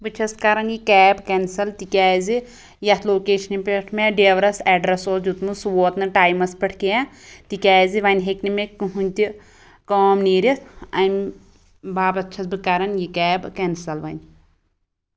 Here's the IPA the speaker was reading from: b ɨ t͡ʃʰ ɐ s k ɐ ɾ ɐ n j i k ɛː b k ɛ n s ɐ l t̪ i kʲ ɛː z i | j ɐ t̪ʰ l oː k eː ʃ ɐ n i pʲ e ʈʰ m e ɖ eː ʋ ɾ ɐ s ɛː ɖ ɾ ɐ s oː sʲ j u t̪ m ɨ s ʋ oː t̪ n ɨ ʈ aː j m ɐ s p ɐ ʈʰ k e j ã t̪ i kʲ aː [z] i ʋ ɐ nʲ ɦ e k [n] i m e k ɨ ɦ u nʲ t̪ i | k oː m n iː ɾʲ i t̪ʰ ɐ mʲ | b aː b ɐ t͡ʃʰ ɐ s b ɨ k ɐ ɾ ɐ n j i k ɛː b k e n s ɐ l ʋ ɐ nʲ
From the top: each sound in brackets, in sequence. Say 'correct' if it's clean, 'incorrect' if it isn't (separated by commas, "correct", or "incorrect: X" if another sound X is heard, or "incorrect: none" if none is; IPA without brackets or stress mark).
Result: correct, correct